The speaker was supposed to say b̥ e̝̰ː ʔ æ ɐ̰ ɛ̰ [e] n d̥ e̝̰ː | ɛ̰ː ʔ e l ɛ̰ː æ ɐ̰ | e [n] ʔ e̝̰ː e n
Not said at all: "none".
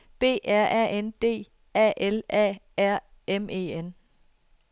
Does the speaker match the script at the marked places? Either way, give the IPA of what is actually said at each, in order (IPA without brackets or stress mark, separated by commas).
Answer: e, m